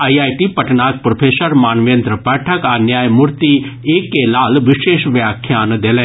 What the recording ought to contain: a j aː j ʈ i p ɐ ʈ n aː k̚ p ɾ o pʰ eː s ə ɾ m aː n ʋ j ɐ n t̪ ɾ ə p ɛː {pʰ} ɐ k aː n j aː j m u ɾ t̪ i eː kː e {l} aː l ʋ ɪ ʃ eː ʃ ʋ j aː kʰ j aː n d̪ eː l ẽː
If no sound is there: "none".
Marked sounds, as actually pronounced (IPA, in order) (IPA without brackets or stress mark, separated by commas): ʈʰ, l